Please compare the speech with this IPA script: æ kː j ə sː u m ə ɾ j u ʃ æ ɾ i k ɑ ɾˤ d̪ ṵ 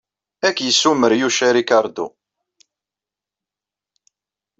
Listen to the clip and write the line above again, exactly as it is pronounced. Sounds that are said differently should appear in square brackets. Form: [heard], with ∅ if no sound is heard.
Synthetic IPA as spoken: æ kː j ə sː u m ə ɾ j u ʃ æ ɾ i k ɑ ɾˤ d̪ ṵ